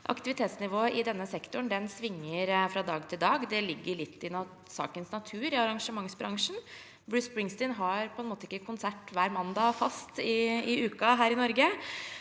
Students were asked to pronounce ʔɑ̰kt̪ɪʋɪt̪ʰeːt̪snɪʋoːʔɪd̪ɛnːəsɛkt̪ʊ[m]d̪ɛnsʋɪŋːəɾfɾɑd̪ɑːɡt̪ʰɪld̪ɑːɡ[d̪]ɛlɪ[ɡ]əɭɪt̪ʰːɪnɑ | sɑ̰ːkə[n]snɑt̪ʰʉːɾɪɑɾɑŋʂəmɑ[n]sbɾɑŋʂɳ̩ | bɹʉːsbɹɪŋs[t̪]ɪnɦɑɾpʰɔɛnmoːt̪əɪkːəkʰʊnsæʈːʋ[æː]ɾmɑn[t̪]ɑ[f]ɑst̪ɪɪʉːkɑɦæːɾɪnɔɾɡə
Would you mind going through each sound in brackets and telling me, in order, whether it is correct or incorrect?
incorrect, correct, incorrect, correct, incorrect, correct, correct, incorrect, correct

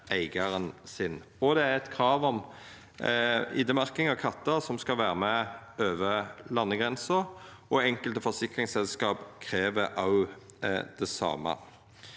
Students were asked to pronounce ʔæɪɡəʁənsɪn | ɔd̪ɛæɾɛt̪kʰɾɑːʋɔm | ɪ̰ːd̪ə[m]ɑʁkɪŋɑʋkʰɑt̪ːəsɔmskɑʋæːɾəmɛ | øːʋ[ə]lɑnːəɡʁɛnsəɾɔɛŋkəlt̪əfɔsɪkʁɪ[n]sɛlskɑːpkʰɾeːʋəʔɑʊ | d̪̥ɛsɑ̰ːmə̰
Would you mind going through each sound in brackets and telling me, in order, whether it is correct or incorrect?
correct, correct, incorrect

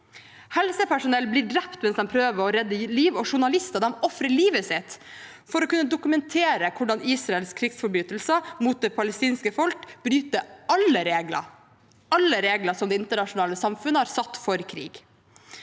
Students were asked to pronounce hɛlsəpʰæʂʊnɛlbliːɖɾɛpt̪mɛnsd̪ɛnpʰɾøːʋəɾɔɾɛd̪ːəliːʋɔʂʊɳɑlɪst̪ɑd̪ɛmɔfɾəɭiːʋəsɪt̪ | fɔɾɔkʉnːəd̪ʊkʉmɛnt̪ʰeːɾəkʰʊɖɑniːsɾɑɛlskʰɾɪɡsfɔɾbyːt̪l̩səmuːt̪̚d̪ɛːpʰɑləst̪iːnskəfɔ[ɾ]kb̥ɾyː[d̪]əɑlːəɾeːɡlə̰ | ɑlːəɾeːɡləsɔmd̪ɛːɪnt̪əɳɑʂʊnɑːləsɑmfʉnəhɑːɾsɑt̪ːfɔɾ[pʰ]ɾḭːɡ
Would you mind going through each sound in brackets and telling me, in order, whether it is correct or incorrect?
incorrect, incorrect, incorrect

